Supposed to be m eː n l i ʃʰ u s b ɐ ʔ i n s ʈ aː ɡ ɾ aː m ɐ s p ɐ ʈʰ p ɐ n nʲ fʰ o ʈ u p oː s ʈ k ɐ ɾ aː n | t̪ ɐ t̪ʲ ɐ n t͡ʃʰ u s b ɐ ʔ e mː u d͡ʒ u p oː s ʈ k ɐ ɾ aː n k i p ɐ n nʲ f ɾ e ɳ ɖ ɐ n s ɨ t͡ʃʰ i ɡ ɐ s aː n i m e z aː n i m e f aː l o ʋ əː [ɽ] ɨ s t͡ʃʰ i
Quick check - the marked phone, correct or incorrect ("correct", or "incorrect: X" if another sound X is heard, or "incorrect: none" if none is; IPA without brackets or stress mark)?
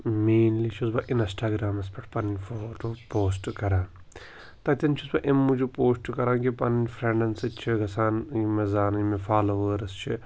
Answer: incorrect: ɾ